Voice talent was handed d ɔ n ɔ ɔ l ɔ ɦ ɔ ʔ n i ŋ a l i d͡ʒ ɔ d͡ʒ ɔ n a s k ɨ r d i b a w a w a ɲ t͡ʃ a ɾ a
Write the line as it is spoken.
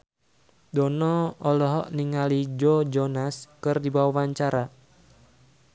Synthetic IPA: d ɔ n ɔ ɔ l ɔ ɦ ɔ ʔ n i ŋ a l i d͡ʒ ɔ d͡ʒ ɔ n a s k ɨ r d i b a w a w a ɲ t͡ʃ a ɾ a